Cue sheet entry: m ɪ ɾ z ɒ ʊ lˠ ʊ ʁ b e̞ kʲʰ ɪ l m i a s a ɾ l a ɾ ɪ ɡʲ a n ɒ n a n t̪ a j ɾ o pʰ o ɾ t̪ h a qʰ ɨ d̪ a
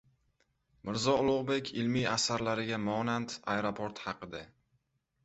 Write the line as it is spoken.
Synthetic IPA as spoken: m ɪ ɾ z ɒ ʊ lˠ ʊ ʁ b e̞ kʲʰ ɪ l m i a s a ɾ l a ɾ ɪ ɡʲ a m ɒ n a n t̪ a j ɾ o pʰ o ɾ t̪ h ɑ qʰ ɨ d̪ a

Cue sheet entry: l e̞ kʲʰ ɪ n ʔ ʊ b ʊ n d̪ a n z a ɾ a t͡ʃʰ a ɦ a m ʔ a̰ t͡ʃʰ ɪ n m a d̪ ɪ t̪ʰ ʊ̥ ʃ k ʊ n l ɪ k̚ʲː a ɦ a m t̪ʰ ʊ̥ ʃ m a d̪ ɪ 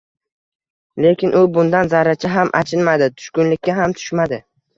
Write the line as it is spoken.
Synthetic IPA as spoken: l e̞ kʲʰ ɪ n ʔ ʊ b ʊ n d̪ a n z a ɾ a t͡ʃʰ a ɦ a m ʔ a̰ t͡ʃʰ ɪ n m a d̪ ɪ t̪ʰ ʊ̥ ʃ k ʊ n l ɪ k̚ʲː a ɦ a m t̪ʰ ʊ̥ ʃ m a d̪ ɪ

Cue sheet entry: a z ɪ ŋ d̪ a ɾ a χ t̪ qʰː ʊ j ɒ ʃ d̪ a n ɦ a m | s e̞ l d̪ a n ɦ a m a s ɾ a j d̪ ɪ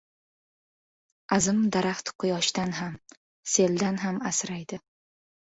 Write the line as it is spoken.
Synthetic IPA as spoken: a z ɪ m d̪ a ɾ a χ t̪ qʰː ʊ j ɒ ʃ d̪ a n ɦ a m | s e̞ l d̪ a n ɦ a m a s ɾ a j d̪ ɪ

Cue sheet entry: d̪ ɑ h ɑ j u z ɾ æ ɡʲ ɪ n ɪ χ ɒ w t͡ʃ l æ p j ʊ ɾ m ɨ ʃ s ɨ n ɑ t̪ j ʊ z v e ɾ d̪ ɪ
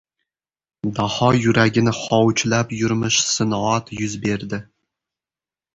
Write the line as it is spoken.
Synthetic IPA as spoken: d̪ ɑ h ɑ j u ɾ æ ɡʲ ɪ n ɪ χ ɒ w t͡ʃ l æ p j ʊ ɾ m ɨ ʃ s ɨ n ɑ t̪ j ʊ z b e ɾ d̪ ɪ

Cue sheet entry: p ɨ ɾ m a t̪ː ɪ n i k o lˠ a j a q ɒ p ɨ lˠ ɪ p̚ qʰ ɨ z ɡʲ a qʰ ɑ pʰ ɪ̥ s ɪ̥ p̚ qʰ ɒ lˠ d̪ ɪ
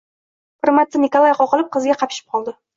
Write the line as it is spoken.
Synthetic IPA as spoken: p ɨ ɾ m a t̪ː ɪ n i k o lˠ a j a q ɒ q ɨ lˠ ɪ p̚ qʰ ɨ z ɡʲ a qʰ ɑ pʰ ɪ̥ ʃ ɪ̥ p̚ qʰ ɒ lˠ d̪ ɪ

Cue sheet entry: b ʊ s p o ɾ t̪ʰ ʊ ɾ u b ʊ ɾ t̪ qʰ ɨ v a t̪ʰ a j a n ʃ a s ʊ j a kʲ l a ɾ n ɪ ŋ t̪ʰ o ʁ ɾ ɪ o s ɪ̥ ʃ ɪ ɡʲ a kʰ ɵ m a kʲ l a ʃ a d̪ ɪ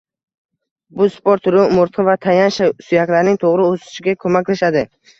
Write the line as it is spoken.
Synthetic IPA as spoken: b ʊ s p o ɾ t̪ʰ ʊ ɾ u m ʊ ɾ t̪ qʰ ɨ v a t̪ʰ a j a n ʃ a s ʊ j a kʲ l a ɾ n ɪ ŋ t̪ʰ o ʁ ɾ ɪ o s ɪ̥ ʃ ɪ ɡʲ a kʰ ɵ m a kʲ l a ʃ a d̪ ɪ

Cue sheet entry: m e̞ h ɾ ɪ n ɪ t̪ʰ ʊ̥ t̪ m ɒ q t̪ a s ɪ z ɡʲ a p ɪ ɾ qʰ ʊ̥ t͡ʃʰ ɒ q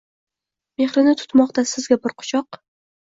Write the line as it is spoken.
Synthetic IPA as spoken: m e̞ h ɾ ɪ n ɪ t̪ʰ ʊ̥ t̪ m ɒ q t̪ a s ɪ z ɡʲ a b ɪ ɾ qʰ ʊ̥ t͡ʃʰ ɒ q

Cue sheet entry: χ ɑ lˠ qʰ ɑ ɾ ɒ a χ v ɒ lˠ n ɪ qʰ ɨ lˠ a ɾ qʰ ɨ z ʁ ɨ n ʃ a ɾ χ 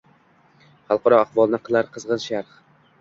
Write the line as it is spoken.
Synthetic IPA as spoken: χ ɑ lˠ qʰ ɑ ɾ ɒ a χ v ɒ lˠ n ɪ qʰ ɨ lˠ a ɾ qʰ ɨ z ʁ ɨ n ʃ a ɾ χ

